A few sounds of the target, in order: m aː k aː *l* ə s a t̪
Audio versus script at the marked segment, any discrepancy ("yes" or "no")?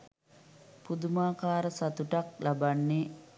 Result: yes